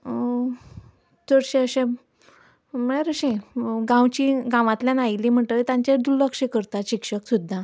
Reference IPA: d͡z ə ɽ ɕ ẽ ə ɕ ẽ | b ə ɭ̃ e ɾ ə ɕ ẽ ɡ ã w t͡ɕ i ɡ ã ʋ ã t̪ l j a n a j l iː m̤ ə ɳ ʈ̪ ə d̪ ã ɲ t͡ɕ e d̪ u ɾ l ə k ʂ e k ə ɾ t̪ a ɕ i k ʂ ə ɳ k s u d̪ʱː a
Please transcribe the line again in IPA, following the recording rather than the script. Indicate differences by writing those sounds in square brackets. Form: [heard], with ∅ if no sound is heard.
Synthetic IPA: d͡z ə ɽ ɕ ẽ ə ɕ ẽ | [m] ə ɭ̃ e ɾ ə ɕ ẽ ɡ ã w t͡ɕ i ɡ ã ʋ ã t̪ l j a n a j l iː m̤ ə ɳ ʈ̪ ə [t̪] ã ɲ t͡ɕ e d̪ u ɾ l ə k ʂ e k ə ɾ t̪ a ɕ i k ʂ ə [∅] k s u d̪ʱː a